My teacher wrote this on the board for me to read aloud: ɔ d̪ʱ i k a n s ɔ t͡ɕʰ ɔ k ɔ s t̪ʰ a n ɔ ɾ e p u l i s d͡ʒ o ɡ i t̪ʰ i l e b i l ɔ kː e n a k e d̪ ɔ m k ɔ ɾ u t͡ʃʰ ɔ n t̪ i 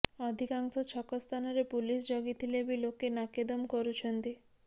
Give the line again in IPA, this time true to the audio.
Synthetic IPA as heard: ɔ d̪ʱ i k a ŋ s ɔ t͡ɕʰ ɔ k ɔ s t̪ʰ a n ɔ ɾ e p u l i s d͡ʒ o ɡ i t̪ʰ i l e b i l o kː e n a k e d̪ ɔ m k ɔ ɾ u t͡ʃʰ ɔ n t̪ i

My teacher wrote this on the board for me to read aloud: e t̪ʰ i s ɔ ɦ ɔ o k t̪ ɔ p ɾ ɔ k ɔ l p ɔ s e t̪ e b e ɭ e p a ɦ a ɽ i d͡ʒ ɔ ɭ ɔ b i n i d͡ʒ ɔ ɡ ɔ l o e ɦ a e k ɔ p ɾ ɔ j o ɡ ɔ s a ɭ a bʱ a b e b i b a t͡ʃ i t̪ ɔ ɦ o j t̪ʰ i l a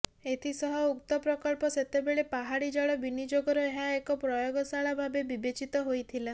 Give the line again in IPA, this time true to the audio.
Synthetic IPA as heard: e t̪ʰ i s ɔ ɦ ɔ u k t̪ ɔ p ɾ ɔ k ɔ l p ɔ s e t̪ e b e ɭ e p a ɦ a ɽ i d͡ʒ ɔ ɭ ɔ b i n i d͡ʒ o ɡ ɔ ɾ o e ɦ a e k ɔ p ɾ ɔ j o ɡ ɔ s a ɭ a bʱ a b e b i b e t͡ʃ i t̪ ɔ ɦ o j t̪ʰ i l a

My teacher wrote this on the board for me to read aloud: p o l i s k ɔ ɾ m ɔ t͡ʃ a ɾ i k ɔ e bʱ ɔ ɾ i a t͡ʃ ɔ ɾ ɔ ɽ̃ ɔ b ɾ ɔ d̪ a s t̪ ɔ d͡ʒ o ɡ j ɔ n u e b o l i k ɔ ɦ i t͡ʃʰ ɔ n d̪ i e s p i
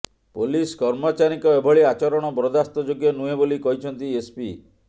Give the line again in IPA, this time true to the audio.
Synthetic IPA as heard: p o l i s k ɔ ɾ m ɔ t͡ʃ a ɾ i k ɔ e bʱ ɔ ɭ i a t͡ʃ ɔ ɾ ɔ ɽ̃ ɔ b ɾ ɔ d̪ a s t̪ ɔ d͡ʒ o ɡ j ɔ n u e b o l i k ɔ ɦ i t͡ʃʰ ɔ n t̪ i e s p i

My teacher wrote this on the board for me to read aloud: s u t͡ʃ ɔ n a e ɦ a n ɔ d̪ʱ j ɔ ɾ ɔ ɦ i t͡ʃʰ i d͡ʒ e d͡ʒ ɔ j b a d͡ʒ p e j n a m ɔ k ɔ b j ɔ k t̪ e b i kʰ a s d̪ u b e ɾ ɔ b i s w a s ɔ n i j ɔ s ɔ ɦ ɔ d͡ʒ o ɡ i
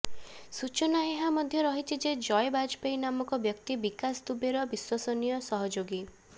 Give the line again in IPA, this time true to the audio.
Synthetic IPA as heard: s u t͡ʃ ɔ n a e ɦ a m ɔ d̪ʱ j ɔ ɾ ɔ ɦ i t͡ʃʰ i d͡ʒ e d͡ʒ ɔ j b a d͡ʒ p e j n a m ɔ k ɔ b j ɔ k t̪ i b i k a s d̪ u b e ɾ ɔ b i s w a s ɔ n i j ɔ s ɔ ɦ ɔ d͡ʒ o ɡ i

